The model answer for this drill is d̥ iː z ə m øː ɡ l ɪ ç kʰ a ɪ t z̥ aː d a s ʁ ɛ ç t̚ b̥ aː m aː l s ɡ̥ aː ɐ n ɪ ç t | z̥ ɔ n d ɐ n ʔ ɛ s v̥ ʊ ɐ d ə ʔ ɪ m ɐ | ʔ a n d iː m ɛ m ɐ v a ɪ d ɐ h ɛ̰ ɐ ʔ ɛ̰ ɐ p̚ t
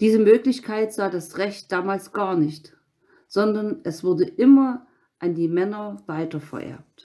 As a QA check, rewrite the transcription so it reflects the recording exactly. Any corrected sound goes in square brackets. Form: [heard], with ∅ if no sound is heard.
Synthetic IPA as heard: d̥ iː z ə m øː [k] l ɪ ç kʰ a ɪ t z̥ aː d a s ʁ ɛ ç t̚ [d̥] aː m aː l s ɡ̥ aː ɐ n ɪ ç t | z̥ ɔ n d ɐ n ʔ ɛ s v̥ ʊ ɐ d ə ʔ ɪ m ɐ | ʔ a n d iː m ɛ [n] ɐ v a ɪ [t] ɐ [f] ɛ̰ ɐ ʔ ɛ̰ ɐ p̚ t